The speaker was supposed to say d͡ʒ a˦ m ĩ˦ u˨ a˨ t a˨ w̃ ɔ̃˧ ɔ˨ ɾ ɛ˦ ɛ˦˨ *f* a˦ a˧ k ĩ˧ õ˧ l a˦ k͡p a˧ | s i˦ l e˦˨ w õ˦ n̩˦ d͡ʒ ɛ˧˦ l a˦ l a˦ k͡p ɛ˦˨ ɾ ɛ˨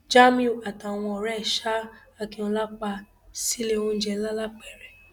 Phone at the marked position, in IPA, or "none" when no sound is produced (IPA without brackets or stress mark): ʃ